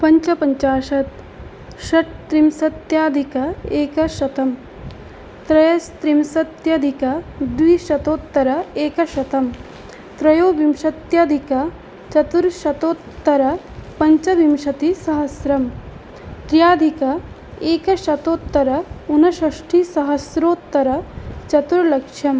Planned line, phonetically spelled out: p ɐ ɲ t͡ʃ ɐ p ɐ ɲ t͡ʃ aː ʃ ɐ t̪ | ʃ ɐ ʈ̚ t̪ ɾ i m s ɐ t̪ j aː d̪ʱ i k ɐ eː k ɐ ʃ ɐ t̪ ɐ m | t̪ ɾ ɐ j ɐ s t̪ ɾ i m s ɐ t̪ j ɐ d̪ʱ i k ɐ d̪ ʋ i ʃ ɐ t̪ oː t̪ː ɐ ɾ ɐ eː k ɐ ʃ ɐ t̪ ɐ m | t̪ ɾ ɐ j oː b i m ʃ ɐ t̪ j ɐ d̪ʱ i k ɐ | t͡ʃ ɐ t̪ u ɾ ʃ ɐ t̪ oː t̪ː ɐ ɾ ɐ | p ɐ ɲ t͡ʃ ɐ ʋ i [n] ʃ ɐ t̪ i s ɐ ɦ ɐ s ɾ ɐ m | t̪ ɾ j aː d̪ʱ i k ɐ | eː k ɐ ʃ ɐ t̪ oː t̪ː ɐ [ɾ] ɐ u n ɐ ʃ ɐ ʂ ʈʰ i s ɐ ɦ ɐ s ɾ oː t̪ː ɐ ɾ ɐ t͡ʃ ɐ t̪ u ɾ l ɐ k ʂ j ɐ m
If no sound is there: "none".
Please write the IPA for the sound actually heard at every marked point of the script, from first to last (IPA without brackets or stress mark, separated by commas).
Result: m, ɾ